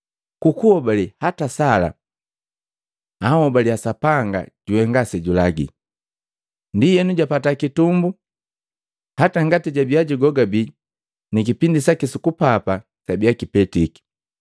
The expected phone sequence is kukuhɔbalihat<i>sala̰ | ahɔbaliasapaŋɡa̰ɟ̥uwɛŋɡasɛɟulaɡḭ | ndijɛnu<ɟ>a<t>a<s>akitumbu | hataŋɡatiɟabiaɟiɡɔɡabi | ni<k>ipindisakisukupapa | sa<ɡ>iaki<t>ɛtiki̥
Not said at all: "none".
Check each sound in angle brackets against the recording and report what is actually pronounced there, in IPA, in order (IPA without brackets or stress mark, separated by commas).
a, ɟ, p, t, k, b, p